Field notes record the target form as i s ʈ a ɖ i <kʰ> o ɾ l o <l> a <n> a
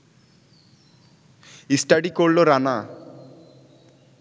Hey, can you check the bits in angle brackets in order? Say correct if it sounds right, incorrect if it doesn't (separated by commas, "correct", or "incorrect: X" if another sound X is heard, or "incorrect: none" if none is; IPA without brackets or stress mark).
incorrect: k, incorrect: ɾ, correct